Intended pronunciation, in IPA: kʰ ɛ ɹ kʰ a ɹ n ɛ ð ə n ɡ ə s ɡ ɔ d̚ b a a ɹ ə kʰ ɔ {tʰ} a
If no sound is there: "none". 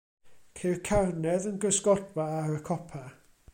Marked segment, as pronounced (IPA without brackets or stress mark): pʰ